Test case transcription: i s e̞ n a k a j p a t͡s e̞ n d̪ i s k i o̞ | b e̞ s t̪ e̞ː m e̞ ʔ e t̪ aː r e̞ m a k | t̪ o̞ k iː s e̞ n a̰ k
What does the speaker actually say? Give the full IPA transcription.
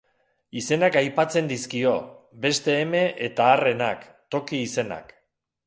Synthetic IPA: i s e̞ n a k a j p a t͡s e̞ n d̪ i s k i o̞ | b e̞ s t̪ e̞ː m e̞ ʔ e t̪ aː r e̞ n a k | t̪ o̞ k iː s e̞ n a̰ k

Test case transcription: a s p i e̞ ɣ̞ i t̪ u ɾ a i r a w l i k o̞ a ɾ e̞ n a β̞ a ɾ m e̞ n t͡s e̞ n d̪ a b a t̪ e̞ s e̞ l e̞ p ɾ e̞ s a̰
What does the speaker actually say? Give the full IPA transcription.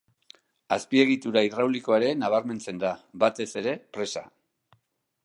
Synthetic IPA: a s p i e̞ ɣ̞ i t̪ u ɾ a i r a w l i k o̞ a ɾ e̞ n a β̞ a ɾ m e̞ n t͡s e̞ n d̪ a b a t̪ e̞ s e̞ ɾ e̞ p ɾ e̞ s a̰

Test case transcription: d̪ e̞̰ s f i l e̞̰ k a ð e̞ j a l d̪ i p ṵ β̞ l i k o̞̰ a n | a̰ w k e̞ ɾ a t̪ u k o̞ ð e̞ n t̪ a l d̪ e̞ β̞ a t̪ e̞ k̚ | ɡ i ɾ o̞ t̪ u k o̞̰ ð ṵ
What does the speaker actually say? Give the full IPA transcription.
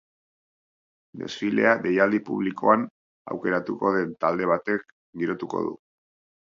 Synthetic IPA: d̪ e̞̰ s f i l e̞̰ a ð e̞ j a l d̪ i p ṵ β̞ l i k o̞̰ a n | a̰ w k e̞ ɾ a t̪ u k o̞ ð e̞ n t̪ a l d̪ e̞ β̞ a t̪ e̞ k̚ | ɡ i ɾ o̞ t̪ u k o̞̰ ð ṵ

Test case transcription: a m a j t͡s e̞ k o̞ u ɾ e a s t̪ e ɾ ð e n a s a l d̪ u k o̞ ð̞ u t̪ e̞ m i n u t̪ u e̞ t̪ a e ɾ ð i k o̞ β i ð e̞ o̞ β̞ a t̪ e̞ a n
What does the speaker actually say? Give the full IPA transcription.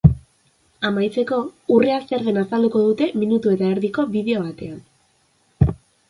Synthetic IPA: a m a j t͡s e̞ k o̞ u r e a s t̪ e ɾ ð e n a s a l d̪ u k o̞ ð̞ u t̪ e̞ m i n u t̪ u e̞ t̪ a e ɾ ð i k o̞ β i ð e̞ o̞ β̞ a t̪ e̞ a n

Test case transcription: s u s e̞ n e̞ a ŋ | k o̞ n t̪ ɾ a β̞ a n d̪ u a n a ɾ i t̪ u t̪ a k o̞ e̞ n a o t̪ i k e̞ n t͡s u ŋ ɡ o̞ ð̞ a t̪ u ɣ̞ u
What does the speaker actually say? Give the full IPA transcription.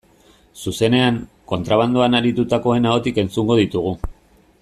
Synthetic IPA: s u s e̞ n e̞ a ŋ | k o̞ n t̪ ɾ a β̞ a n d̪ u a n a ɾ i t̪ u t̪ a k o̞ e̞ n a o t̪ i k e̞ n t͡s u ŋ ɡ o̞ ð̞ i t̪ u ɣ̞ u

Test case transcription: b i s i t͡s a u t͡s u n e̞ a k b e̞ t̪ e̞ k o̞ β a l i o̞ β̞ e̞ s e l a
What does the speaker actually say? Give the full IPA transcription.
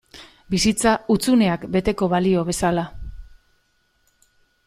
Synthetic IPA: b i s i t͡s a u t͡s u n e̞ a k b e̞ t̪ e̞ k o̞ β a l i o̞ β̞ e̞ s a l a

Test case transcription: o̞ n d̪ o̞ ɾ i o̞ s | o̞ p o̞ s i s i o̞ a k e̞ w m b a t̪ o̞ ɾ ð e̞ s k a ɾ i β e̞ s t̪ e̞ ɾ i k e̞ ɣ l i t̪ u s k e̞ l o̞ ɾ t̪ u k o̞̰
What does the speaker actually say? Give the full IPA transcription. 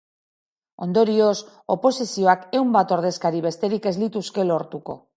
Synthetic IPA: o̞ n d̪ o̞ ɾ i o̞ s | o̞ p o̞ s i s i o̞ a k e̞ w m b a t̪ o̞ ɾ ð e̞ s k a ɾ i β e̞ s t̪ e̞ ɾ i k e̞ z l i t̪ u s k e̞ l o̞ ɾ t̪ u k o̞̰

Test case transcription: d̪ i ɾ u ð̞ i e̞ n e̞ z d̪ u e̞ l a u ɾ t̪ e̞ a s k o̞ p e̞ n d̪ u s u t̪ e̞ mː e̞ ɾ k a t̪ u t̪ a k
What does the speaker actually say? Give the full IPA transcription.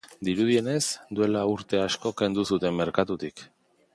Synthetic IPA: d̪ i ɾ u ð̞ i e̞ n e̞ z d̪ u e̞ l a u ɾ t̪ e̞ a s k o̞ k e̞ n d̪ u s u t̪ e̞ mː e̞ ɾ k a t̪ u t̪ i k

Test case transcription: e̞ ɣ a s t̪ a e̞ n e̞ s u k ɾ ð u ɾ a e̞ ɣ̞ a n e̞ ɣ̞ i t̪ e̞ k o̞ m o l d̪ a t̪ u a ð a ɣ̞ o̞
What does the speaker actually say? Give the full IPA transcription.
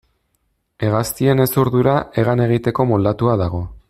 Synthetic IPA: e̞ ɣ a s t̪ i e̞ n e̞ s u ɾ ð u ɾ a e̞ ɣ̞ a n e̞ ɣ̞ i t̪ e̞ k o̞ m o l d̪ a t̪ u a ð a ɣ̞ o̞

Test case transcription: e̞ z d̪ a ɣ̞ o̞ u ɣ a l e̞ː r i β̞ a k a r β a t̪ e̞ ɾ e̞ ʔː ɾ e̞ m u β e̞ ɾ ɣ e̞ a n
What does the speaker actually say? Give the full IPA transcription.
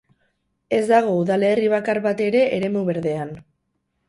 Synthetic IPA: e̞ z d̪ a ɣ̞ o̞ u ð a l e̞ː r i β̞ a k a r β a t̪ e̞ ɾ e̞ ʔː ɾ e̞ m u β e̞ ɾ ð e̞ a n

